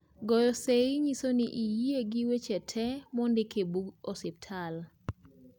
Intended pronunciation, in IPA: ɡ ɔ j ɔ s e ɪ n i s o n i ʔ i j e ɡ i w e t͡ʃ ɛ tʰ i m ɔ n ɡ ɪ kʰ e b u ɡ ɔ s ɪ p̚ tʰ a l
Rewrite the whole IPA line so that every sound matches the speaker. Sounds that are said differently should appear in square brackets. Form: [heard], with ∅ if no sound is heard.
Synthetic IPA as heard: ɡ ɔ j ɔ s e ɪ [ɲ] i s o n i ʔ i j e ɡ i w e t͡ʃ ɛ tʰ [ɛ] m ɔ n [d] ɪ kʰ e b u ɡ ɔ s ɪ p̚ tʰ a l